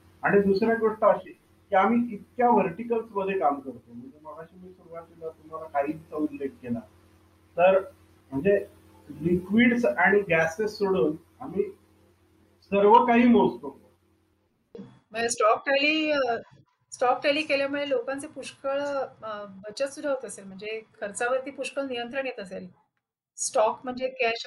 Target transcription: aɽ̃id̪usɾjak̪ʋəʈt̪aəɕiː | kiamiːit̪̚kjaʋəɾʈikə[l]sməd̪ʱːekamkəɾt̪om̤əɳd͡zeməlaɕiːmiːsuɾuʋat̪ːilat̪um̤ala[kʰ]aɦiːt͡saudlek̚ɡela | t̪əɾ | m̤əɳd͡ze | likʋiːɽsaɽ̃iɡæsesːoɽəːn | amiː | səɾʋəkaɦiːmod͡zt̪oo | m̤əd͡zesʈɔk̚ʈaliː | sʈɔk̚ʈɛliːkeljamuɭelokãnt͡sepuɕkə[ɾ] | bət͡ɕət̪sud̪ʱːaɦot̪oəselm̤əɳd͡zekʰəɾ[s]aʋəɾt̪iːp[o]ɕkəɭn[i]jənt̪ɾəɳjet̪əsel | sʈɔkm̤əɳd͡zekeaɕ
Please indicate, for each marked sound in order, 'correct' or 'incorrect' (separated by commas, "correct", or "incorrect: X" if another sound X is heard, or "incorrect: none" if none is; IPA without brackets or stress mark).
correct, incorrect: k, incorrect: ɭ, incorrect: t͡s, incorrect: u, correct